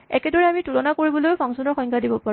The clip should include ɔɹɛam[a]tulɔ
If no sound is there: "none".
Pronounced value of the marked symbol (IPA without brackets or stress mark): i